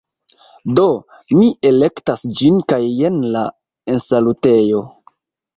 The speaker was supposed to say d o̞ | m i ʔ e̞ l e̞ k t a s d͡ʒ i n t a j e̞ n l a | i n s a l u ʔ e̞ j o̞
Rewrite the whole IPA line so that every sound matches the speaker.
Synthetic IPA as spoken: d o̞ | m i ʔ e̞ l e̞ k t a s d͡ʒ i n k a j e̞ n l a | e n s a l u t e̞ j o̞